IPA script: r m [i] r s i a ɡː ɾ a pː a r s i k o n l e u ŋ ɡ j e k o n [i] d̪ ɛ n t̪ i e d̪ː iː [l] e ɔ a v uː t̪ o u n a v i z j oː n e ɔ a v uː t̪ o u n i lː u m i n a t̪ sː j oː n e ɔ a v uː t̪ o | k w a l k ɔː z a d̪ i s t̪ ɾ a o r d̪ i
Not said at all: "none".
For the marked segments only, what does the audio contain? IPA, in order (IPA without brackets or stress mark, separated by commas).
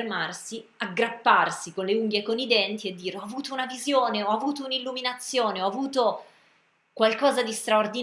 a, i, ɾ